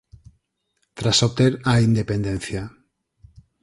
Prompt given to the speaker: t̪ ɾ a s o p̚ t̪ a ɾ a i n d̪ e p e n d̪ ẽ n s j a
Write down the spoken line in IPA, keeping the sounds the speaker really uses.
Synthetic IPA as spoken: t̪ ɾ a s o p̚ t̪ e ɾ a i n d̪ e p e n d̪ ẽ n θ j a